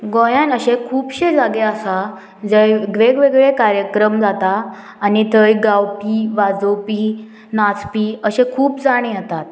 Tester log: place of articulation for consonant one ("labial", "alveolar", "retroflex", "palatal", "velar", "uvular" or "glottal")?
velar